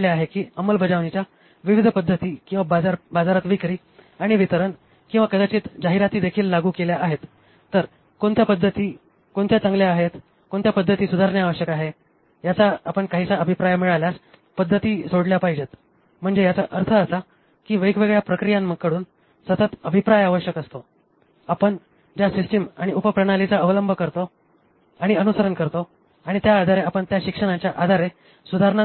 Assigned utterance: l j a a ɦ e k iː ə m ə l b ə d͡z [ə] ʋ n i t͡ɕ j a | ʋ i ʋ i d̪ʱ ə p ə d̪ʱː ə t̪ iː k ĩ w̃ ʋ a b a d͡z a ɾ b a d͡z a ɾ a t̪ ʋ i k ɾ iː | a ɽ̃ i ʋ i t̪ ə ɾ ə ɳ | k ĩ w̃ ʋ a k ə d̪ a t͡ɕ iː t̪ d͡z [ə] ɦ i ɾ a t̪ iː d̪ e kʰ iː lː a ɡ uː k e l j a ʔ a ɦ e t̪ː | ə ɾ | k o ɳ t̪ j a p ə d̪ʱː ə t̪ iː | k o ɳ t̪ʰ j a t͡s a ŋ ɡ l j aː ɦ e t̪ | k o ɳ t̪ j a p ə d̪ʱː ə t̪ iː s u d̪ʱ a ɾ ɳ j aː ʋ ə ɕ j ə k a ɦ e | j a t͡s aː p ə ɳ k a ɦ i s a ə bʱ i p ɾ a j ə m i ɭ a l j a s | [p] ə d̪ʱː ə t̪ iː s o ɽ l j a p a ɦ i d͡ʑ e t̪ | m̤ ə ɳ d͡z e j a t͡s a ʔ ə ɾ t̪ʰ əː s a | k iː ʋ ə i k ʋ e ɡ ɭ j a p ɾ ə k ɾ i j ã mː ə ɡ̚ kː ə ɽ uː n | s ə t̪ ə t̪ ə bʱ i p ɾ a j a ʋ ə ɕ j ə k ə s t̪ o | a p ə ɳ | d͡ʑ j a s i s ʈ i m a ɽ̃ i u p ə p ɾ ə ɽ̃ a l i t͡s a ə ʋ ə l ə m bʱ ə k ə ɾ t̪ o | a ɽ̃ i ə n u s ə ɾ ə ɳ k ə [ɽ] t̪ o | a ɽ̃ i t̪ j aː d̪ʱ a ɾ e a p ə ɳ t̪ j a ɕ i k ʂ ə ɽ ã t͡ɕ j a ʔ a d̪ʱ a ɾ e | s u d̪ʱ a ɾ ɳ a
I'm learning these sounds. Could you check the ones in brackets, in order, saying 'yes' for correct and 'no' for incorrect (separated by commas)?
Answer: no, no, yes, no